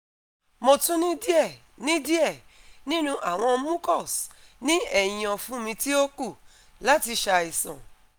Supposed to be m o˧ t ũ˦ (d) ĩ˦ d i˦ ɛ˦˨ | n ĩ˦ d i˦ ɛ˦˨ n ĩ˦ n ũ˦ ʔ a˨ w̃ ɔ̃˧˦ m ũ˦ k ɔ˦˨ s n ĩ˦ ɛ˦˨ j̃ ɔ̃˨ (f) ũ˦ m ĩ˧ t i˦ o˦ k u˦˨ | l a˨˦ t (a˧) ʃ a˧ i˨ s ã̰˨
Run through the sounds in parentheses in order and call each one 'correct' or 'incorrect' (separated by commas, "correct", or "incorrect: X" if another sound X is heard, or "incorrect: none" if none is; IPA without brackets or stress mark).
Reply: incorrect: n, correct, incorrect: i˧